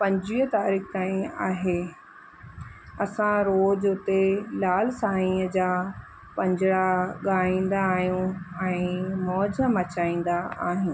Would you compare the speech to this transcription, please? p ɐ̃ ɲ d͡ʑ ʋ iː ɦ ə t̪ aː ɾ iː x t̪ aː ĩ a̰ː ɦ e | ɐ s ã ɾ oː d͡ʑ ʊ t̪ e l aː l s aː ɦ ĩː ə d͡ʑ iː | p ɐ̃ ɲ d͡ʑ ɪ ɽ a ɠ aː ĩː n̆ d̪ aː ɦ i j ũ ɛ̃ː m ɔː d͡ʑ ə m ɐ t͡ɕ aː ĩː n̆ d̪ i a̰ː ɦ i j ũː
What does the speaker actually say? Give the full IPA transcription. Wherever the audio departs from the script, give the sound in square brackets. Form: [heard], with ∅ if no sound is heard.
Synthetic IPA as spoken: p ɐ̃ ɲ d͡ʑ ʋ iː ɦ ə t̪ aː ɾ iː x t̪ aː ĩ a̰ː ɦ e | ɐ s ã ɾ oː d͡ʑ ʊ t̪ e l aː l s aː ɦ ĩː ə d͡ʑ [aː] | p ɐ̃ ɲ d͡ʑ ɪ ɽ a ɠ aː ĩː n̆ d̪ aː ɦ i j ũ ɛ̃ː m ɔː d͡ʑ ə m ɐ t͡ɕ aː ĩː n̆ d̪ [a] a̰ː ɦ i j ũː